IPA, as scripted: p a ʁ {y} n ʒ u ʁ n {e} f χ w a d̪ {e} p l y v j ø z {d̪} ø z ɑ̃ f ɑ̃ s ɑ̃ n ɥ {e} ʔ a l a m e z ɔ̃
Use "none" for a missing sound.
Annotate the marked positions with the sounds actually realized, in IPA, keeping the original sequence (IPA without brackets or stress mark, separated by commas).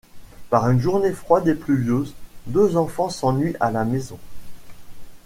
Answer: y, e, e, d̪, i